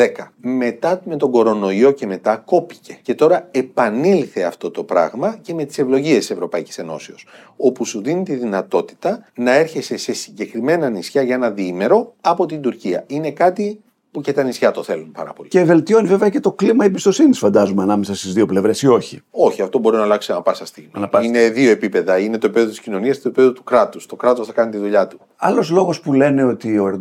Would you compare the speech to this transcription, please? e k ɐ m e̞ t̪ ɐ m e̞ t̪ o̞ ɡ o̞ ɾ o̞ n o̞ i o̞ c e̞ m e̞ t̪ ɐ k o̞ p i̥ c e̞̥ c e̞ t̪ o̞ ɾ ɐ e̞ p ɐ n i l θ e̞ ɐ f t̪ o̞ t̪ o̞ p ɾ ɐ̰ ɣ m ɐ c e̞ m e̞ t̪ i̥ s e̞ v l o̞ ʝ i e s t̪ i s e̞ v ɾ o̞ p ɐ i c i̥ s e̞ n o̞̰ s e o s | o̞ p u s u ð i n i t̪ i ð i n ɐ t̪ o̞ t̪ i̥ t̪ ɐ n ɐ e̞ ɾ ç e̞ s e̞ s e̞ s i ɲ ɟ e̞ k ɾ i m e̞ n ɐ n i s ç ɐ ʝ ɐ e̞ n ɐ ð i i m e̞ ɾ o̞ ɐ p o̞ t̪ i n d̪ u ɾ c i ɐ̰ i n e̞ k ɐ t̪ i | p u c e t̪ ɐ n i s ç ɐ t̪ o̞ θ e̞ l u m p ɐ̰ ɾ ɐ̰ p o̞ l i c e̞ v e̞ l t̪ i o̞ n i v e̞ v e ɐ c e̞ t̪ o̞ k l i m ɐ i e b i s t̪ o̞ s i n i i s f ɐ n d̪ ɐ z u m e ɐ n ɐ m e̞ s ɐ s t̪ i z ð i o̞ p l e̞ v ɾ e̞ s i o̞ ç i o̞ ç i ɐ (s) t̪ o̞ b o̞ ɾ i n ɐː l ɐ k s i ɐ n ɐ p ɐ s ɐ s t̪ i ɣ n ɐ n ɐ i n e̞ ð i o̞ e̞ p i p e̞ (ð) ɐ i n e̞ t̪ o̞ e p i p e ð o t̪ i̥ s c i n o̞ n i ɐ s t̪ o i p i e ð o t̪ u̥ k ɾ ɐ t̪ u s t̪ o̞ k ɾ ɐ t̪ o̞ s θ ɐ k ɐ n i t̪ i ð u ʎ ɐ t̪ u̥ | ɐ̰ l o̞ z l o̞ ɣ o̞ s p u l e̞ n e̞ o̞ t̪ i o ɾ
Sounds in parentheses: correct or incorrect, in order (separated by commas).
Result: incorrect, correct